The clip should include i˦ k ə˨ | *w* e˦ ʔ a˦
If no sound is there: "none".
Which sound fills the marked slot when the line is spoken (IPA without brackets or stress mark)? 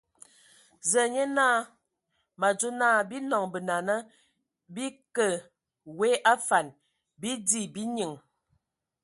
w